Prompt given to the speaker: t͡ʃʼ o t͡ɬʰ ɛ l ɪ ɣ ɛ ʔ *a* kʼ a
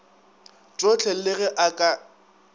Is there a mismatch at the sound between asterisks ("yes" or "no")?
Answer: no